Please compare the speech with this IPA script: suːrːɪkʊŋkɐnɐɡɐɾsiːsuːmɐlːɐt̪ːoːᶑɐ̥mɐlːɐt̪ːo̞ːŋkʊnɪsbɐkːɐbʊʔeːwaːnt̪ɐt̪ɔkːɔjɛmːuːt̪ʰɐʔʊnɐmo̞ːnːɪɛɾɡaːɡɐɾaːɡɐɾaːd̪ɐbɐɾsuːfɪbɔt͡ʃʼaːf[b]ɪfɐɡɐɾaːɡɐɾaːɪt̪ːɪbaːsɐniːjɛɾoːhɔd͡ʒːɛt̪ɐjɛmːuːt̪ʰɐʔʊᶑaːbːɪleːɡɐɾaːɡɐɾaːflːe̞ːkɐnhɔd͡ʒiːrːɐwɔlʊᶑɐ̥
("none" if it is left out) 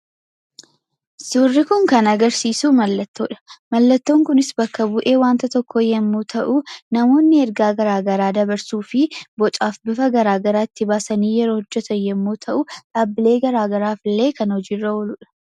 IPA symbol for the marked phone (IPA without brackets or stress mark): b